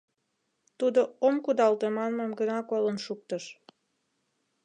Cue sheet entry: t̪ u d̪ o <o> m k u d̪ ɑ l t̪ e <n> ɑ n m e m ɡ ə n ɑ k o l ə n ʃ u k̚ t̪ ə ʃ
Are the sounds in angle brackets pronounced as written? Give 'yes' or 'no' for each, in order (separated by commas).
yes, no